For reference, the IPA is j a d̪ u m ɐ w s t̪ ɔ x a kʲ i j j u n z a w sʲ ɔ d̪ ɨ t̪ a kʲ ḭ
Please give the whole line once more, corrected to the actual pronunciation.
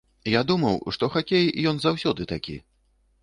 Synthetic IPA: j a d̪ u m ɐ w ʂ t̪ ɔ x a kʲ e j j ɔ n z a w sʲ ɔ d̪ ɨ t̪ a kʲ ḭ

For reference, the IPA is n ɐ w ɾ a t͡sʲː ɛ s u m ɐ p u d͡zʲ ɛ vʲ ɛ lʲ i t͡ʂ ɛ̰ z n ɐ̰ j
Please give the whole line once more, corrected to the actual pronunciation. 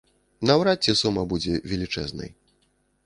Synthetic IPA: n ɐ w ɾ a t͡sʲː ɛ s u m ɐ b u d͡zʲ ɛ vʲ ɛ lʲ i t͡ʂ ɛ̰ z n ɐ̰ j

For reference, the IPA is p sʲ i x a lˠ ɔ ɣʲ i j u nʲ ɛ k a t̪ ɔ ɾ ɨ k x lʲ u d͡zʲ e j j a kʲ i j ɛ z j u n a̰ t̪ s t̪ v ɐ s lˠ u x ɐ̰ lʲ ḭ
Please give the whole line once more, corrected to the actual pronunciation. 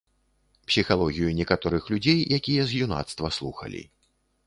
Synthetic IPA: p sʲ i x a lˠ ɔ ɣʲ i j u nʲ ɛ k a t̪ ɔ ɾ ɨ x lʲ u d͡zʲ e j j a kʲ i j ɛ z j u n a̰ t̪ s t̪ v ɐ s lˠ u x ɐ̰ lʲ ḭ

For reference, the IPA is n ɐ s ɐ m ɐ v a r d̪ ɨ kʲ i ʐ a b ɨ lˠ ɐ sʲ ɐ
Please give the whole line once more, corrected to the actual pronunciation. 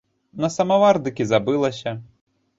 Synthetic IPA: n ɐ s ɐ m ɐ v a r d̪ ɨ kʲ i z a b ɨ lˠ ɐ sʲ ɐ

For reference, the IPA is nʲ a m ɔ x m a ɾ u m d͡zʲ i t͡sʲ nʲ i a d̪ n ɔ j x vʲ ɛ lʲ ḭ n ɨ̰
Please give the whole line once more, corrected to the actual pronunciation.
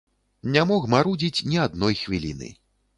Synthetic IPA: nʲ a m ɔ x m a ɾ u d͡zʲ i t͡sʲ nʲ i a d̪ n ɔ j x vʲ i lʲ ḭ n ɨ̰

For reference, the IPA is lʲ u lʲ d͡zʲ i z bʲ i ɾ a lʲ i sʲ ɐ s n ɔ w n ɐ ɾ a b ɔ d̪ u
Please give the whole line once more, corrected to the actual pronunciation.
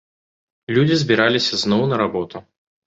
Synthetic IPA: lʲ u d͡zʲ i z bʲ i ɾ a lʲ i sʲ ɐ z n ɔ w n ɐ ɾ a b ɔ t̪ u

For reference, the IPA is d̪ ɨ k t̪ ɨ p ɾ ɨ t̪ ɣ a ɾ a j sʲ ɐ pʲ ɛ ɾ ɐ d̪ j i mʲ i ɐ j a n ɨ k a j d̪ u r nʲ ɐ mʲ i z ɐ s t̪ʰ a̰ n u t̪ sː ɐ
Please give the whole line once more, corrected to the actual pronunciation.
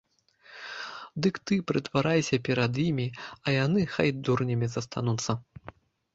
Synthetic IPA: d̪ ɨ k t̪ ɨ p ɾ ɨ t̪ v a ɾ a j sʲ ɐ pʲ ɛ ɾ ɐ d̪ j i mʲ i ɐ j a n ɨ x a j d̪ u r nʲ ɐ mʲ i z ɐ s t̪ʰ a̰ n u t̪ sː ɐ

